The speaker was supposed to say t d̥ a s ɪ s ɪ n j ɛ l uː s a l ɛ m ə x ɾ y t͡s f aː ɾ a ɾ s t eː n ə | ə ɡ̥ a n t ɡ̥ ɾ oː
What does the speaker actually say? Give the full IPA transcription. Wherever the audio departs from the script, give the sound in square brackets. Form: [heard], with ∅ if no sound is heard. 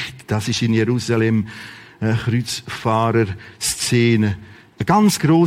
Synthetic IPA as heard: t d̥ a s ɪ [ʃ] ɪ n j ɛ [ɾ] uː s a l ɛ m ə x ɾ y t͡s f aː ɾ [ə] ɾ s [t͡s] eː n ə | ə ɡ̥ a n [t͡s] ɡ̥ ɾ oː